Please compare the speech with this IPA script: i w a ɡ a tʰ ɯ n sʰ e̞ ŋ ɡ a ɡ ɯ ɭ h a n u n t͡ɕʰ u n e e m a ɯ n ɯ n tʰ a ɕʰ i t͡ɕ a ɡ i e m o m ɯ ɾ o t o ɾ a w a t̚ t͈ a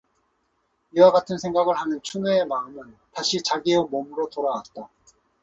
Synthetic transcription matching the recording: i w a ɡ a tʰ ɯ n sʰ e̞ ŋ ɡ a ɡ ɯ ɭ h a n ɯ n t͡ɕʰ u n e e m a ɯ m ɯ n t a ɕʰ i t͡ɕ a ɡ i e m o m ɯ ɾ o t o ɾ a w a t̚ t͈ a